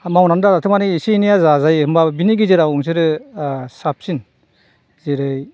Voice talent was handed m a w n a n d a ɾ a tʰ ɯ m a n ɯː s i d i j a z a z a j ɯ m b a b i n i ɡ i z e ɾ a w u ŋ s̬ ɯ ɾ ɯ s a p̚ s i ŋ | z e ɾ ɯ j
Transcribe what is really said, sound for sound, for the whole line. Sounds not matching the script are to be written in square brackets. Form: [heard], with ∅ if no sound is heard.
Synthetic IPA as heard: m a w n a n d a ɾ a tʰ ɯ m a n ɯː s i [n] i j a z a z a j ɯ m b a b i n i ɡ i z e ɾ a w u ŋ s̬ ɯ ɾ ɯ s a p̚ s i [n] | z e ɾ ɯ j